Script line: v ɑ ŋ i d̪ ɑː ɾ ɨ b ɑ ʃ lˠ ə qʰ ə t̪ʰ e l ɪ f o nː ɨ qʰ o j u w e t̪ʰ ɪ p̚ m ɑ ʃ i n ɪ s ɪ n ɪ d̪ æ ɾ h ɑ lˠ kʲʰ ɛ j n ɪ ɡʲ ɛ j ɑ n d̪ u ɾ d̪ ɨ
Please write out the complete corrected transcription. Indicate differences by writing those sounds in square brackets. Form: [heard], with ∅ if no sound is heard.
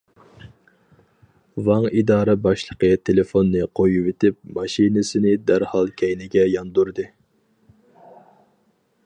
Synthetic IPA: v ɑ ŋ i d̪ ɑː ɾ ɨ b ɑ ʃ lˠ ə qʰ ə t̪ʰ e l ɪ f o nː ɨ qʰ o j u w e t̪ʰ ɪ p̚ m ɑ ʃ i n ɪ s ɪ n ɪ d̪ æ ɾ h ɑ lˠ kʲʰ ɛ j n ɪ ɡʲ ɛ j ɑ n d̪ u ɾ d̪ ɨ